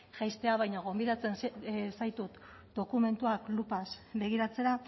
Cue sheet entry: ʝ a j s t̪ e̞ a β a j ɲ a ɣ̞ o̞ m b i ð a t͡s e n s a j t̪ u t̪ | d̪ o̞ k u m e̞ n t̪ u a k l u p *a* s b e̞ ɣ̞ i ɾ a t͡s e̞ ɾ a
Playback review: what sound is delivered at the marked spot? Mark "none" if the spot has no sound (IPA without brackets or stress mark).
a